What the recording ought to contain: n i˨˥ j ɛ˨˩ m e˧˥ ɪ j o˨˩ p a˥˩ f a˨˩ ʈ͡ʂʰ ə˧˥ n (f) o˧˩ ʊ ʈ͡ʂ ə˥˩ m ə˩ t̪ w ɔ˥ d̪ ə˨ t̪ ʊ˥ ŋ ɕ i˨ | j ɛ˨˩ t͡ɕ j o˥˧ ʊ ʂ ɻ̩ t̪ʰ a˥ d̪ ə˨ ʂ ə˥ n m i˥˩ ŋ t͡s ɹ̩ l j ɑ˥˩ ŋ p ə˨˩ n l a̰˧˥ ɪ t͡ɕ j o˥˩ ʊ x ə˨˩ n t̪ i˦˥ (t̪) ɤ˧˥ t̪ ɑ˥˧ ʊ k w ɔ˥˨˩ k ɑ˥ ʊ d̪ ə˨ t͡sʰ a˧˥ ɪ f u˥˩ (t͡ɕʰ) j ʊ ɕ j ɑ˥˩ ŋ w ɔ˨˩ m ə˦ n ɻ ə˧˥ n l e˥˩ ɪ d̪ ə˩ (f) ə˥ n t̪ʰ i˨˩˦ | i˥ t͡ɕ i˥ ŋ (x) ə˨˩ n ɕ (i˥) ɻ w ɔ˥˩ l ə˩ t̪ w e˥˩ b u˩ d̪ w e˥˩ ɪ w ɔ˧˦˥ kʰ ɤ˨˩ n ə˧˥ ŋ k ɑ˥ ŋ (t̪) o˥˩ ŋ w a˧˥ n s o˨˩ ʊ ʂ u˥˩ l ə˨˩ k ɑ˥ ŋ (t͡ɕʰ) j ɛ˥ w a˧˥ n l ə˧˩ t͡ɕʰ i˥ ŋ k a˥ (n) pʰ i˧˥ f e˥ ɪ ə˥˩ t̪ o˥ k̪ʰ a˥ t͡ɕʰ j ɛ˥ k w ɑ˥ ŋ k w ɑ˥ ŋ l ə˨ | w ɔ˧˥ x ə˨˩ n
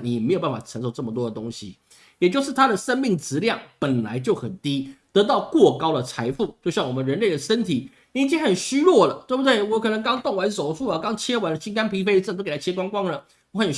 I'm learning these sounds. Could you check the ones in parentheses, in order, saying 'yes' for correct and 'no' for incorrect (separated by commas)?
no, yes, no, no, yes, no, yes, yes, yes